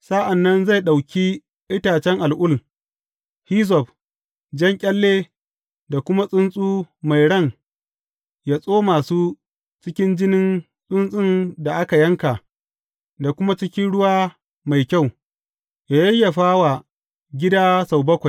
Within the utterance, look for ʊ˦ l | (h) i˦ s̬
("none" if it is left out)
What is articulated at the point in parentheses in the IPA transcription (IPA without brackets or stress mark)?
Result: h